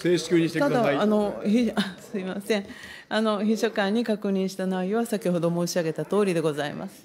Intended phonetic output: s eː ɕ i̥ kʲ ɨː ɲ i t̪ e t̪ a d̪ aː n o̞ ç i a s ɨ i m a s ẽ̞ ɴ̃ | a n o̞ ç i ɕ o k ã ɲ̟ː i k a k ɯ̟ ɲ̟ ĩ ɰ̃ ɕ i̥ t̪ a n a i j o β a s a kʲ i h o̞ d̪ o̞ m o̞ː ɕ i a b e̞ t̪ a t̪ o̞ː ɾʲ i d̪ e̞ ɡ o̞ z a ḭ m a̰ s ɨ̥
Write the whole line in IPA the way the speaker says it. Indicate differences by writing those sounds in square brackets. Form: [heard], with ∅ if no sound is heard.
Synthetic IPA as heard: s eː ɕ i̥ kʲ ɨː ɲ i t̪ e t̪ a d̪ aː n o̞ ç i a s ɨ i m a s ẽ̞ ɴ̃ | a n o̞ ç i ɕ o k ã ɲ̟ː i k a k ɯ̟ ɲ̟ ĩ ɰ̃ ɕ i̥ t̪ a n a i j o β a s a kʲ i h o̞ d̪ o̞ m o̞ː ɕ i a [ɡ] e̞ t̪ a t̪ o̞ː ɾʲ i d̪ e̞ ɡ o̞ z a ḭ m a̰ s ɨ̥